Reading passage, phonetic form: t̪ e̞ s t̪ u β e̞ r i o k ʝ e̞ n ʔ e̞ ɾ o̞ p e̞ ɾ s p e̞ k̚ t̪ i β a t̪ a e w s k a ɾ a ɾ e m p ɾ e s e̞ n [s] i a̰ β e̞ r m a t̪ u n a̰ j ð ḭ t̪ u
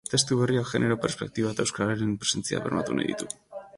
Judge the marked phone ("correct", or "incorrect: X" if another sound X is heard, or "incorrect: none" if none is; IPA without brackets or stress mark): incorrect: t͡s